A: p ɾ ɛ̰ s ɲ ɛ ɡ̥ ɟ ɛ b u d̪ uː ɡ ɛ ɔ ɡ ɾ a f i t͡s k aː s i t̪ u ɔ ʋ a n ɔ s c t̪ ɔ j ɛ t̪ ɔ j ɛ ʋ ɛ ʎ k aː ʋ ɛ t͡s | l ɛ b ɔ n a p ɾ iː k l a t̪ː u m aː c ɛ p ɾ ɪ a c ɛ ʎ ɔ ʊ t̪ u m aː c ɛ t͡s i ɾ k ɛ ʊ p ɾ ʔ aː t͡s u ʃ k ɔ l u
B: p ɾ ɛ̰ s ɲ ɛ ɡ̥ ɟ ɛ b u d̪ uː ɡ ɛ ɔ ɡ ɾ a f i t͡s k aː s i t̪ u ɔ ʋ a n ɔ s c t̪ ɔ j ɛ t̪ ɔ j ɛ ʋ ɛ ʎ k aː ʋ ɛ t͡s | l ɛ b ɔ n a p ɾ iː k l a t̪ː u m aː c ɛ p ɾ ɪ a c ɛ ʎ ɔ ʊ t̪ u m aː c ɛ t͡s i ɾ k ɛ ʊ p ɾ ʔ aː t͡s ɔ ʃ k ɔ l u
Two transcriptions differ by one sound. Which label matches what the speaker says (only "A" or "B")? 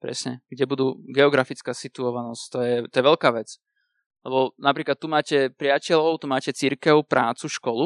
A